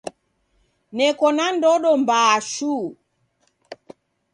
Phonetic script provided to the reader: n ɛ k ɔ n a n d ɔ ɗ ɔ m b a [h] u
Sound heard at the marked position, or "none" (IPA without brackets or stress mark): ʃ